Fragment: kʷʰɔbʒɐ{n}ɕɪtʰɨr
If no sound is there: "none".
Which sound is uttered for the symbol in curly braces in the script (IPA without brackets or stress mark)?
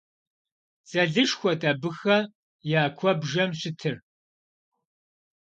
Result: m